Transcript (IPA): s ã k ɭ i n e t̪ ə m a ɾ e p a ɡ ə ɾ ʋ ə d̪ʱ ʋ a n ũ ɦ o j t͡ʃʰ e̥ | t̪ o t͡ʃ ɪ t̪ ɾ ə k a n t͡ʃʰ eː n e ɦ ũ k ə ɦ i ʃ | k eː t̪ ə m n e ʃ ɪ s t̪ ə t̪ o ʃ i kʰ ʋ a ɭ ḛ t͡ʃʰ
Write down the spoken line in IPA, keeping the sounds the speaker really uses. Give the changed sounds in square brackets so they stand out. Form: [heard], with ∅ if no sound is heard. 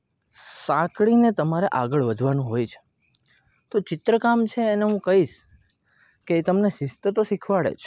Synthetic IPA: s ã k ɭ i n e t̪ ə m a ɾ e [ʔ] a ɡ ə [ɭ] ʋ ə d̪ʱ ʋ a n ũ ɦ o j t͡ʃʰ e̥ | t̪ o t͡ʃ ɪ t̪ ɾ ə k a [m] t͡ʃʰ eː n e ɦ ũ k ə ɦ i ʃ | k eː t̪ ə m n e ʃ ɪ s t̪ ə t̪ o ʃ i kʰ ʋ a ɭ ḛ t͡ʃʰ

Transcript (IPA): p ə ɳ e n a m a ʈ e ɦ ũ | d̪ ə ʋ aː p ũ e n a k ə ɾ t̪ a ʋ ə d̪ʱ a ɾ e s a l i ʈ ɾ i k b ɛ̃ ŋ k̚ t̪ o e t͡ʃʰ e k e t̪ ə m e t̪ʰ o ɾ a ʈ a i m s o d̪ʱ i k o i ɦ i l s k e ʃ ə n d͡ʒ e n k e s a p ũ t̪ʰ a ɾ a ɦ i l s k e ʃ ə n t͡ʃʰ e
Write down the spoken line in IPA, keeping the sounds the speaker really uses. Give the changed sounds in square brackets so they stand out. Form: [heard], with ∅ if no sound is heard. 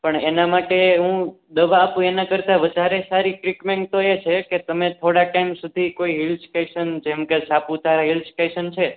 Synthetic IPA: p ə ɳ e n a m a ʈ e ɦ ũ | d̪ ə ʋ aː p ũ e n a k ə ɾ t̪ a ʋ ə d̪ʱ a ɾ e s a [ɾ] i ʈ ɾ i k [m] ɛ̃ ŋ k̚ t̪ o e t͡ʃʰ e k e t̪ ə m e t̪ʰ o [ɽ] a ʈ a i m s [u] d̪ʱ i k o i ɦ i l s k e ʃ ə n d͡ʒ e [m] k e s a p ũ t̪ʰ a ɾ a ɦ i l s k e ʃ ə n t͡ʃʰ e

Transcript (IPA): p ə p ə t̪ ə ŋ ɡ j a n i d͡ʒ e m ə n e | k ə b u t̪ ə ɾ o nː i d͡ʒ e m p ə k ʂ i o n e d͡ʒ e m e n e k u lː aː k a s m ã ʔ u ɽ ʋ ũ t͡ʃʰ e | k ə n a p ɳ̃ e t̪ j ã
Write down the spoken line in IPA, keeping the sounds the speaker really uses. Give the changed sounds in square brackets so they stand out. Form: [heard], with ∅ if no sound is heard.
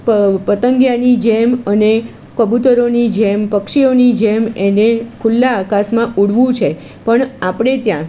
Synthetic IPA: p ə p ə t̪ ə ŋ ɡ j a n i d͡ʒ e m ə n e | k ə b u t̪ ə ɾ o [n] i d͡ʒ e m p ə k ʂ i o n [i] d͡ʒ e m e n e [kʰ] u lː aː k a s m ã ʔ u ɽ ʋ ũ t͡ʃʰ e | [p] ə [ɳ] a p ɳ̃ e t̪ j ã

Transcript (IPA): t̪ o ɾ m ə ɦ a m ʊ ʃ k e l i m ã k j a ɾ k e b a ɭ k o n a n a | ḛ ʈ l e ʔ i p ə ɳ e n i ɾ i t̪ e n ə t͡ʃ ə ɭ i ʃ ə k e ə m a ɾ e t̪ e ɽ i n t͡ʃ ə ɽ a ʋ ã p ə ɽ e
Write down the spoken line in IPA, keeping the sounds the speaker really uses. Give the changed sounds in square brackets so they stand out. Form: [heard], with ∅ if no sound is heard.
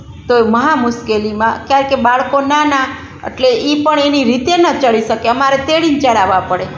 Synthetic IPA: t̪ o [∅] m ə ɦ a m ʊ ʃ k e l i m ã k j a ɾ k e b a ɭ k o n a n a | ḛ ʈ l e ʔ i p ə ɳ e n i ɾ i t̪ e n ə t͡ʃ ə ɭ i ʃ ə k e ə m a ɾ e t̪ e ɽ i n t͡ʃ ə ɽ a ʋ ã p ə ɽ e

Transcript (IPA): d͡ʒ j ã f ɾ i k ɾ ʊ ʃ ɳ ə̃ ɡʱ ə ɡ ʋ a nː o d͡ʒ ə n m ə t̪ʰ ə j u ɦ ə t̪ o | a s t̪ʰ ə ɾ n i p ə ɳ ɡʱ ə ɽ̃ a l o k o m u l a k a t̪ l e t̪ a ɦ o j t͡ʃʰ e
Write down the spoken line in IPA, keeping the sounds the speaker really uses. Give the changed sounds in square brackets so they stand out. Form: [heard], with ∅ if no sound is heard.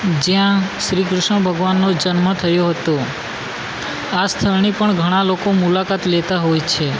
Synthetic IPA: d͡ʒ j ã [ʃ] ɾ i k ɾ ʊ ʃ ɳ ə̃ [bʱ] ə ɡ ʋ a nː o d͡ʒ ə n m ə t̪ʰ ə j [o] ɦ ə t̪ o | a s t̪ʰ ə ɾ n i p ə ɳ ɡʱ ə ɽ̃ a l o k o m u l a k a t̪ l e t̪ a ɦ o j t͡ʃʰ e

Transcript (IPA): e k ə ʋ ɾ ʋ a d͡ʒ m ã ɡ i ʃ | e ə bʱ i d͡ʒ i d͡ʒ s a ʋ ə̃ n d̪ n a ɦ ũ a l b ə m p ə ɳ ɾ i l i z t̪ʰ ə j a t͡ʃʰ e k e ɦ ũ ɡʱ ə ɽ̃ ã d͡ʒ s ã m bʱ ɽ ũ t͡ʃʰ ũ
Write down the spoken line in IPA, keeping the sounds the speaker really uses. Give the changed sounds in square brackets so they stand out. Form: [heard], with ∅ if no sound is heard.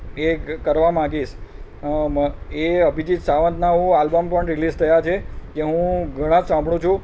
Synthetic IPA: e k ə [∅] ɾ ʋ a [∅] m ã ɡ i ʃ | e ə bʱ i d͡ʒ i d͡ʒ s a ʋ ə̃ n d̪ n a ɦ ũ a l b ə m p ə ɳ ɾ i l i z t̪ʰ ə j a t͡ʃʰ e k e ɦ ũ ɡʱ ə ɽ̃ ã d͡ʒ s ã m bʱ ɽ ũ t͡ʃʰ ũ

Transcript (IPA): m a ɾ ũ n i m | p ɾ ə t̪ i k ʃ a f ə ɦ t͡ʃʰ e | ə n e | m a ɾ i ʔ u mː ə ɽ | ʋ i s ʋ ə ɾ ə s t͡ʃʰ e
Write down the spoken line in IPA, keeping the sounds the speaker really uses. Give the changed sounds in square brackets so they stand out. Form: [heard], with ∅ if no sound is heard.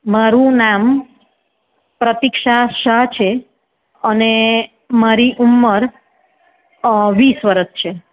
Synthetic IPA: m a ɾ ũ n [a] m | p ɾ ə t̪ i k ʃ a [ʃ] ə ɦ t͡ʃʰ e | ə n e | m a ɾ i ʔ u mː ə [ɾ] | ʋ i s ʋ ə ɾ ə s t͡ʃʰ e

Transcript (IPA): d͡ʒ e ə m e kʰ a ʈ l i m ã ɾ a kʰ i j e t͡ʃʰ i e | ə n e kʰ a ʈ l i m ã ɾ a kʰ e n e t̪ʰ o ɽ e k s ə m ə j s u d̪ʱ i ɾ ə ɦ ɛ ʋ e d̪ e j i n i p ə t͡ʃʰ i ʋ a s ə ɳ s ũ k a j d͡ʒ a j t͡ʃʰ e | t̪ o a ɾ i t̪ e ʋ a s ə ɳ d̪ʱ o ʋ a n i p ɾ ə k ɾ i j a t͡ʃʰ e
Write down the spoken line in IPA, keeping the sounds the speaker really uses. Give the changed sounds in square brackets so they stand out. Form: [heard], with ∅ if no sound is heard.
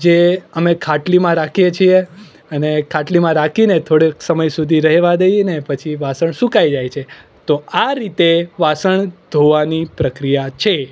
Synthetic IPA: d͡ʒ e ə m e kʰ a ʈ l i m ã ɾ a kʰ i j e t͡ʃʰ i e | ə n e kʰ a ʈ l i m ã ɾ a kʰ [i] n e t̪ʰ o ɽ e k s ə m ə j s u d̪ʱ i ɾ ə ɦ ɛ ʋ [a] d̪ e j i n [e] p ə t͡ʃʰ i ʋ a s ə ɳ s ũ k a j d͡ʒ a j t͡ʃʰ e | t̪ o a ɾ i t̪ e ʋ a s ə ɳ d̪ʱ o ʋ a n i p ɾ ə k ɾ i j a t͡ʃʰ e

